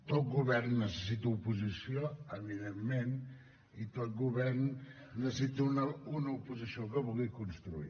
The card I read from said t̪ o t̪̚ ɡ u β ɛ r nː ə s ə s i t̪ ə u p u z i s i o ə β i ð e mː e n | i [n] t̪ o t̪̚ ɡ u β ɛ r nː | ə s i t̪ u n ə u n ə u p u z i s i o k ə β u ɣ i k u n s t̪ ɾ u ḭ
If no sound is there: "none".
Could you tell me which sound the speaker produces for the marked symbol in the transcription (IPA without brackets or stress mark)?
none